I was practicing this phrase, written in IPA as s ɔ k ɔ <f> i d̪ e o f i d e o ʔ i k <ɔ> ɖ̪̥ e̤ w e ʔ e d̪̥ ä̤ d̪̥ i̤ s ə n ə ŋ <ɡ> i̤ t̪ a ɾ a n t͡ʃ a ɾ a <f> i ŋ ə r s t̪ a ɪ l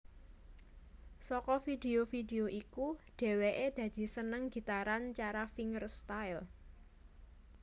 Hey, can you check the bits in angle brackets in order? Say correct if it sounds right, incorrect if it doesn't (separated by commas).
correct, incorrect, correct, correct